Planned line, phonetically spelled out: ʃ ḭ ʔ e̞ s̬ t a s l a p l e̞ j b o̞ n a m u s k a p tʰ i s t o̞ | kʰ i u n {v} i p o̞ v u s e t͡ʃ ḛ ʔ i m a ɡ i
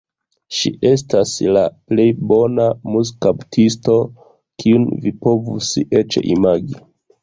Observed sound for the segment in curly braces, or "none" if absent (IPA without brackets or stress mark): v